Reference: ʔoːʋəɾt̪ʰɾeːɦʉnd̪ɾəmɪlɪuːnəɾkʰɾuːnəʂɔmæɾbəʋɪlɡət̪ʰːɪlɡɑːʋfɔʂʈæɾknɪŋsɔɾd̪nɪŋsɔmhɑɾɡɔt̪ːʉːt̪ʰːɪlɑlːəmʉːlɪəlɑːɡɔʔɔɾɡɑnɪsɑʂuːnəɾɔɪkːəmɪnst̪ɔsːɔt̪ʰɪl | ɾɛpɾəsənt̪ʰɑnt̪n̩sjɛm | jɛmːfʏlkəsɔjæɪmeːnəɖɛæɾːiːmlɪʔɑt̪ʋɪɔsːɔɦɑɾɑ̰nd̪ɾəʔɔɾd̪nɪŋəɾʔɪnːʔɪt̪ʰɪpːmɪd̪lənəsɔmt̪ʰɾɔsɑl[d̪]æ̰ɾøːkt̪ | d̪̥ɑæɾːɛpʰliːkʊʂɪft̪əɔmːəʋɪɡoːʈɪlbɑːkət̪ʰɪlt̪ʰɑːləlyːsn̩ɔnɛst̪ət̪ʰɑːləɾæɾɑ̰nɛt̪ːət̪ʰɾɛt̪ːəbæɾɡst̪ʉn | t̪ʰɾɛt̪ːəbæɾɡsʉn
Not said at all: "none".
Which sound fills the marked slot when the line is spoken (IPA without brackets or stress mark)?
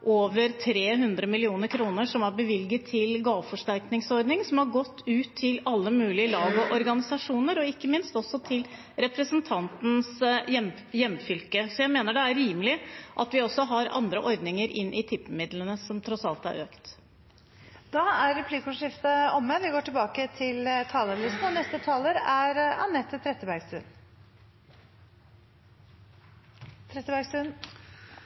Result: t̪